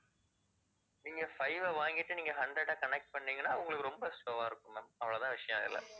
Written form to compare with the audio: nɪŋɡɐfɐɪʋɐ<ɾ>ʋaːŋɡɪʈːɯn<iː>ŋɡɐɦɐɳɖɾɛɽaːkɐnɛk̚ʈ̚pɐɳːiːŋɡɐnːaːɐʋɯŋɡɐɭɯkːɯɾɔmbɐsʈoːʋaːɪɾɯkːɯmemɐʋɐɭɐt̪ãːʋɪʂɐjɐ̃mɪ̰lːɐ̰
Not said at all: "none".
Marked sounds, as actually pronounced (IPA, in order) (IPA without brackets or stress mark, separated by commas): none, iː